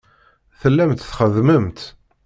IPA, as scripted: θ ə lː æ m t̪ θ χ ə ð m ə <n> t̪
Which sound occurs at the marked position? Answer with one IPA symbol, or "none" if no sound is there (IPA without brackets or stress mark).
m